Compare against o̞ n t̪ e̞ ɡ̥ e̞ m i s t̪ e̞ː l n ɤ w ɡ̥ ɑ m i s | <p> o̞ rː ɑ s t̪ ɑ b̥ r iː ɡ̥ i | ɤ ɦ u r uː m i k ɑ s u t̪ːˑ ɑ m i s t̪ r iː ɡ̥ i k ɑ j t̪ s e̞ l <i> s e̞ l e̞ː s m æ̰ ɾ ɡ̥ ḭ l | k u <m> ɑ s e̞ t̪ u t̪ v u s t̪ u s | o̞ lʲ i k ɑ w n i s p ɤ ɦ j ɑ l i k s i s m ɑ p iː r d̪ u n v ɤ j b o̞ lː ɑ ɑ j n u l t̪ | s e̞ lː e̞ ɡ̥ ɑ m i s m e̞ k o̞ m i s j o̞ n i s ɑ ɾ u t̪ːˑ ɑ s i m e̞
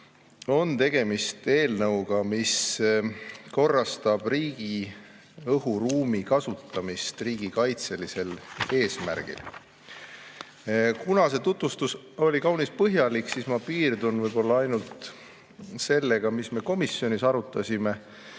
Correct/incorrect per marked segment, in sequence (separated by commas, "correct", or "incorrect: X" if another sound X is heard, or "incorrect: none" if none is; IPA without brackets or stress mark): incorrect: k, correct, incorrect: n